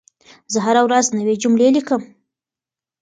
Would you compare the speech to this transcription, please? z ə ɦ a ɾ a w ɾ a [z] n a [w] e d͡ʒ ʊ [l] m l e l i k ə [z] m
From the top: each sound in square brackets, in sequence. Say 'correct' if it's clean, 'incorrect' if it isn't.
correct, correct, incorrect, incorrect

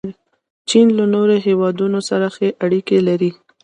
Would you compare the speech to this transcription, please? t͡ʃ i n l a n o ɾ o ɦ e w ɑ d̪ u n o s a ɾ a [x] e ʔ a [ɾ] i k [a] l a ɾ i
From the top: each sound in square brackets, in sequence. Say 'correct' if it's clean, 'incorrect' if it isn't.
correct, incorrect, incorrect

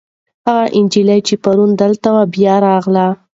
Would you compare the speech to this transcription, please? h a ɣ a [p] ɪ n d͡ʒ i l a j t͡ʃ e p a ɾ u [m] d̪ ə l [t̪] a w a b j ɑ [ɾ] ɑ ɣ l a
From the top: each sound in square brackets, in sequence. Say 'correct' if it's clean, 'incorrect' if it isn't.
incorrect, incorrect, correct, correct

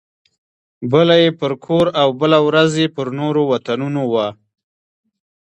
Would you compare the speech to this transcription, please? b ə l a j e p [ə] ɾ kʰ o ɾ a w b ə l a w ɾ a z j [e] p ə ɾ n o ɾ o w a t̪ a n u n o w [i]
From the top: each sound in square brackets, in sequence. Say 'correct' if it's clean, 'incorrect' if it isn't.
correct, correct, incorrect

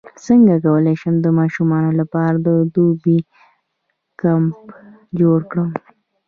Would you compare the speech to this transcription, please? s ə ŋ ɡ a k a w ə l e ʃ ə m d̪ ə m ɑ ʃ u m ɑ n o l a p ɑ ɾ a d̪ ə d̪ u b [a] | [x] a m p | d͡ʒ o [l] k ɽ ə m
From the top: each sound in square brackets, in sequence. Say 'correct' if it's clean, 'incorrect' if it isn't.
incorrect, incorrect, incorrect

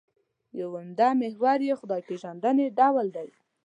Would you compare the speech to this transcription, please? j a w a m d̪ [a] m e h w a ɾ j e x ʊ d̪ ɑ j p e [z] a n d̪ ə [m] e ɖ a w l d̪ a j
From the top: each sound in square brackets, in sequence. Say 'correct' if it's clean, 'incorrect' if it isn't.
correct, incorrect, incorrect

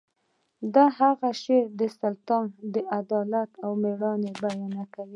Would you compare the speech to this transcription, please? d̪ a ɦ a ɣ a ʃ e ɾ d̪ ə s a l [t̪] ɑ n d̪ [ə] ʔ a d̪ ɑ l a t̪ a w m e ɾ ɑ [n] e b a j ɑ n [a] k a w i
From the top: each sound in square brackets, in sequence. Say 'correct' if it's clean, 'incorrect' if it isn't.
correct, correct, correct, correct

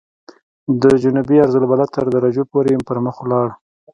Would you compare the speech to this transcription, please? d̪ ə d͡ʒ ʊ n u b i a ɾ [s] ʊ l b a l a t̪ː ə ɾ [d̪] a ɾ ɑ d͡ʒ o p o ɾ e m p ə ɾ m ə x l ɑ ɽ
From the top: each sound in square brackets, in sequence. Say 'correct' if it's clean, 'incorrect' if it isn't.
incorrect, correct

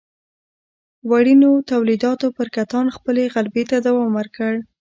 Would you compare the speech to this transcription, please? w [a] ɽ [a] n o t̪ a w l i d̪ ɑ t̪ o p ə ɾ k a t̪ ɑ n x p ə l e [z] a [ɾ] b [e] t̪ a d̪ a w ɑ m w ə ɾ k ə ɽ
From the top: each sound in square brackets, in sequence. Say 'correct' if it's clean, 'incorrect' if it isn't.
correct, incorrect, incorrect, incorrect, correct

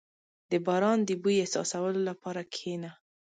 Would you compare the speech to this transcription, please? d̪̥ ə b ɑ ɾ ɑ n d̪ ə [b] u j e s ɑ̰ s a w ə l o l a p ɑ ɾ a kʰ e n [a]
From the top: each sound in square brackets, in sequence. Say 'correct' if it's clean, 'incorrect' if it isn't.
correct, correct

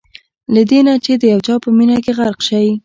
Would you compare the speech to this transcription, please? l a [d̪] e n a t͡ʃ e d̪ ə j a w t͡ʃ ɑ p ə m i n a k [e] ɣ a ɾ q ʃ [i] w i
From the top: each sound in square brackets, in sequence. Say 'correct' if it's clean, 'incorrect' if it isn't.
correct, correct, incorrect

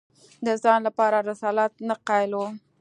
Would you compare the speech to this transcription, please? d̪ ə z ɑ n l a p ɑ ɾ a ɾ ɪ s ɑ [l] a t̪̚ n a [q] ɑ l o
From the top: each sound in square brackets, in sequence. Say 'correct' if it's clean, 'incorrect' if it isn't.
correct, correct

